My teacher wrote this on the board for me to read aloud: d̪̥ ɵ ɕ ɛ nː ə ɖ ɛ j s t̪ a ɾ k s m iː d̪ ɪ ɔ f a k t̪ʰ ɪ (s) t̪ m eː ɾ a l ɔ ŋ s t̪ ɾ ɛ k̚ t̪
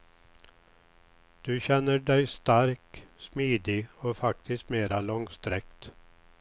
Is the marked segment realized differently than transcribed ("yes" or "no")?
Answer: no